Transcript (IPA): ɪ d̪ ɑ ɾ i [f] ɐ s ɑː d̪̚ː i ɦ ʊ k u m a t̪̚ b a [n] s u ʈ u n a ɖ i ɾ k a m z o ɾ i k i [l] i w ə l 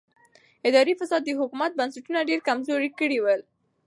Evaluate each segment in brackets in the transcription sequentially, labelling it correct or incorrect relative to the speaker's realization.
correct, correct, incorrect

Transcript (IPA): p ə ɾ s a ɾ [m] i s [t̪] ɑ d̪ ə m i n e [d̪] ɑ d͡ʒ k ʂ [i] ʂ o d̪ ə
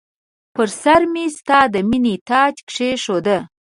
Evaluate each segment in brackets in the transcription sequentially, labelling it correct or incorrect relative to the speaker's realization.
correct, correct, incorrect, incorrect

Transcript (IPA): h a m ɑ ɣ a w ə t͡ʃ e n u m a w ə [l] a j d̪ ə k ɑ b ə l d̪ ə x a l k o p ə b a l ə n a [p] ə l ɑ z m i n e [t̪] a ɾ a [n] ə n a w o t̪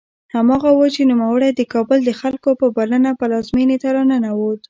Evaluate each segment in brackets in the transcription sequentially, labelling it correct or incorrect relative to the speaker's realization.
incorrect, correct, correct, correct

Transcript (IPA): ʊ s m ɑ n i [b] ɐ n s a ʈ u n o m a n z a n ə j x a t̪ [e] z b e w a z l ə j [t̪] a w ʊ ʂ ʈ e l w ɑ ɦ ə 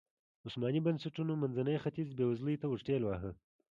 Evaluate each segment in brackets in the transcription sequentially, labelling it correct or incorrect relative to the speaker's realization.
correct, incorrect, correct

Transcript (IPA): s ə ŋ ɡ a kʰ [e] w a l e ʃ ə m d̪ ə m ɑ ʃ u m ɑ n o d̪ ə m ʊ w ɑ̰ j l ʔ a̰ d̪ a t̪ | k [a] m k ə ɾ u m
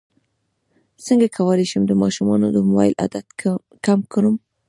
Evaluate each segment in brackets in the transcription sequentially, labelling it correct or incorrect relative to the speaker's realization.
incorrect, correct

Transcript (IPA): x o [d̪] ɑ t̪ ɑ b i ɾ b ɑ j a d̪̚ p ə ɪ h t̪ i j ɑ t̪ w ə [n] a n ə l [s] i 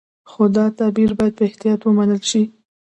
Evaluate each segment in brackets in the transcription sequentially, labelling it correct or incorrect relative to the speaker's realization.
correct, incorrect, incorrect

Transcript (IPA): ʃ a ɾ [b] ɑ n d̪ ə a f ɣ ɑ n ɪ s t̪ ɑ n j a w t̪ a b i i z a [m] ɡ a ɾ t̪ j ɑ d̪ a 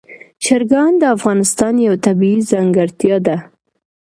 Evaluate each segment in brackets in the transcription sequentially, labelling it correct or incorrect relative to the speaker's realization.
incorrect, incorrect

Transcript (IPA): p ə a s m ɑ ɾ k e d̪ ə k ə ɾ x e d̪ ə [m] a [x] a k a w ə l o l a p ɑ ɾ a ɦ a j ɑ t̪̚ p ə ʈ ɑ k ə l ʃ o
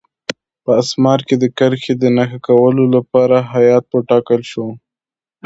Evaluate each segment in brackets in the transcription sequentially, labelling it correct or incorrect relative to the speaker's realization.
incorrect, correct

